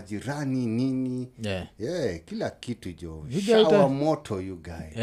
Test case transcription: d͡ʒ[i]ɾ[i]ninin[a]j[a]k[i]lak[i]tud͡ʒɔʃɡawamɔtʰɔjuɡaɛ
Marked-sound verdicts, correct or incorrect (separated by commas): correct, incorrect, incorrect, incorrect, correct, correct